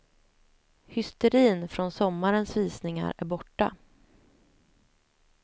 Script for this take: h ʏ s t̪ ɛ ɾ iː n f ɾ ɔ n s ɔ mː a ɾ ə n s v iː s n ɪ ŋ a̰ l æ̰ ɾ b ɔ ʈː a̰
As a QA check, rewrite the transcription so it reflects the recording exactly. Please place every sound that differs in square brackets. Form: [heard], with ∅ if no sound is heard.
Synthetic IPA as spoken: h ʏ s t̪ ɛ ɾ iː n f ɾ ɔ n s ɔ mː a ɾ ə n s v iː s n ɪ ŋ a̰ [ɾ] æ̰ ɾ b ɔ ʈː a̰

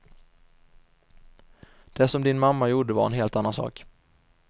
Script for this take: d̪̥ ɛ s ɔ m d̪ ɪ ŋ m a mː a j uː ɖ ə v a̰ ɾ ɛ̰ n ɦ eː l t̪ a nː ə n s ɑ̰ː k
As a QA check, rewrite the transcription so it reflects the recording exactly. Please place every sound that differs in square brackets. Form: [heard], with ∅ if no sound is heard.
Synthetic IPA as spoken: d̪̥ ɛ s ɔ m d̪ ɪ [n] m a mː a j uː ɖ ə v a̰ ɾ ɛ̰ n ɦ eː l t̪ a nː [a] n s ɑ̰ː k

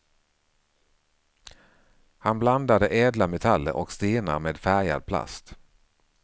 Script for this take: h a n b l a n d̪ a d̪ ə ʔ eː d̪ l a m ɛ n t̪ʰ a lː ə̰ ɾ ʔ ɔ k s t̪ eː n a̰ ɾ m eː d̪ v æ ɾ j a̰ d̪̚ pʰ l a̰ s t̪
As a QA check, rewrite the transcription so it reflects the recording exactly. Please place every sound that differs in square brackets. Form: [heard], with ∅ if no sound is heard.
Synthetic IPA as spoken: h a n b l a n d̪ a d̪ ə ʔ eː d̪ l a m ɛ [∅] t̪ʰ a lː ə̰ ɾ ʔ ɔ k s t̪ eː n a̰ ɾ m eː d̪ [f] æ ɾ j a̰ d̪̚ pʰ l a̰ s t̪

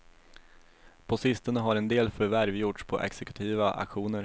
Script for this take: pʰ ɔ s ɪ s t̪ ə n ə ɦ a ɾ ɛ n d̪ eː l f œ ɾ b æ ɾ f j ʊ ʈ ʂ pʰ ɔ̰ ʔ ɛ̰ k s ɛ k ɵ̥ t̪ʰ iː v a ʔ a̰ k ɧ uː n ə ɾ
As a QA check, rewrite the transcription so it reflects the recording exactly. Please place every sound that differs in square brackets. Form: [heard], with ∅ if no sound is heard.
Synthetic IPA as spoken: pʰ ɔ s ɪ s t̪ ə n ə ɦ a ɾ ɛ n d̪ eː l f œ ɾ [v] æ ɾ [v] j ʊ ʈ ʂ pʰ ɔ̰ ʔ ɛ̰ k s ɛ k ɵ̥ t̪ʰ iː v a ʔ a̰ k ɧ uː n ə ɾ

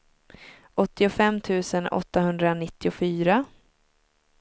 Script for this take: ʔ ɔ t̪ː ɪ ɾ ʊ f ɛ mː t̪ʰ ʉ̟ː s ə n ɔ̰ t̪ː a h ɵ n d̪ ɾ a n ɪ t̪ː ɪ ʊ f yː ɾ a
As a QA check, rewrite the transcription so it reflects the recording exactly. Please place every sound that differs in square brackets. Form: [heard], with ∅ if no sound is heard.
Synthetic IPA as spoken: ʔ ɔ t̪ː ɪ [∅] ʊ f ɛ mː t̪ʰ ʉ̟ː s ə n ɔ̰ t̪ː a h ɵ n d̪ ɾ a n ɪ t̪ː ɪ ʊ f yː ɾ a

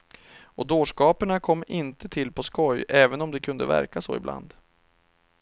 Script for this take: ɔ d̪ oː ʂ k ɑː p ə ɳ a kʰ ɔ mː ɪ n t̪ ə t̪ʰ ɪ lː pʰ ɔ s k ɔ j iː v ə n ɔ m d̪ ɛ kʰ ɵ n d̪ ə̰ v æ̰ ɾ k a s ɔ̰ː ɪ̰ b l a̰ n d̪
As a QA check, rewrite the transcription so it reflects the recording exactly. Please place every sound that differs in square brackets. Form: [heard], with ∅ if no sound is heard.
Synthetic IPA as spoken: ɔ d̪ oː ʂ k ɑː p ə ɳ a kʰ ɔ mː ɪ n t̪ ə t̪ʰ ɪ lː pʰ ɔ s k ɔ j [ɛː] v ə n ɔ m d̪ ɛ kʰ ɵ n d̪ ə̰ v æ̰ ɾ k a s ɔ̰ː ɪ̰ b l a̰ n d̪

